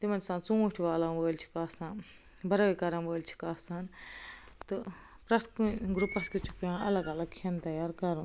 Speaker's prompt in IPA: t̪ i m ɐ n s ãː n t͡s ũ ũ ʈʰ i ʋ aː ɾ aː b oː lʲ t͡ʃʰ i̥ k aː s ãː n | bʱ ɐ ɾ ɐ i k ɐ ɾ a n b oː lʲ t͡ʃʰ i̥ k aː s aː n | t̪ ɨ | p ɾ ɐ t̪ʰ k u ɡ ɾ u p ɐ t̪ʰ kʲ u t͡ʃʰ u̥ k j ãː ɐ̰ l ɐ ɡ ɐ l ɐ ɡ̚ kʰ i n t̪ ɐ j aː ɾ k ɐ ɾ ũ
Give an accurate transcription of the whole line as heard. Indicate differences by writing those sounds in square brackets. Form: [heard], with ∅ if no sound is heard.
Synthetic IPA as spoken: t̪ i m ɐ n s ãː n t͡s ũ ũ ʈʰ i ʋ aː [l] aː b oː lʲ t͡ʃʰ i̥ k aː s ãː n | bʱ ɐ ɾ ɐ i k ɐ ɾ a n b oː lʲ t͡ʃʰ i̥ k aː s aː n | t̪ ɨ | p ɾ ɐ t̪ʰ k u ɡ ɾ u p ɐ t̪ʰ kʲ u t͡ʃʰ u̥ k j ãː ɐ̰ l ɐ ɡ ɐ l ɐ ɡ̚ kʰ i n t̪ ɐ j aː ɾ k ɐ ɾ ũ